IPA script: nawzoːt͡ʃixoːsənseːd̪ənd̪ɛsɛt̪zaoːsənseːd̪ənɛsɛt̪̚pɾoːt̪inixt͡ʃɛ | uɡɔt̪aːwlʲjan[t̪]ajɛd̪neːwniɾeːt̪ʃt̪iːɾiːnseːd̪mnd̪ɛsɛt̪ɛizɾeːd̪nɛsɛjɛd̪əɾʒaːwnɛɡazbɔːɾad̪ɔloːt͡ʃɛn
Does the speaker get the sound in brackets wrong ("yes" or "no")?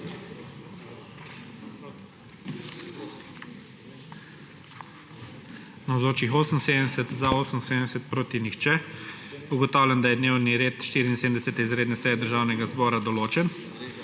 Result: yes